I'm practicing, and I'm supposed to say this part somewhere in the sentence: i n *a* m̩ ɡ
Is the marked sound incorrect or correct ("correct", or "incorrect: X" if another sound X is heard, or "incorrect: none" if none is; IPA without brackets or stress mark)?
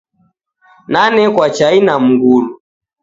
correct